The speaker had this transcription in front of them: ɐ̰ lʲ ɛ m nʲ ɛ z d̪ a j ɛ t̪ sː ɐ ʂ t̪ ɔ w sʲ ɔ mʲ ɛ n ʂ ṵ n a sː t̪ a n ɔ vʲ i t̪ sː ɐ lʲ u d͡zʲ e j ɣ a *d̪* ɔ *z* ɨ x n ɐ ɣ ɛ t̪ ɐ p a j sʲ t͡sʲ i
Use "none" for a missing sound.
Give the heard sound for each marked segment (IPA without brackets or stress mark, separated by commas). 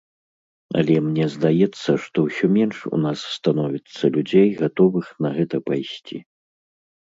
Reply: t̪, v